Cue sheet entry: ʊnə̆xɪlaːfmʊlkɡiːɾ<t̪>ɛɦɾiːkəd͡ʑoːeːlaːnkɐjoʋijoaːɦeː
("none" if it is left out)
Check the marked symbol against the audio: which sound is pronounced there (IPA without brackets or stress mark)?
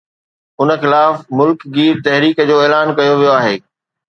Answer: t̪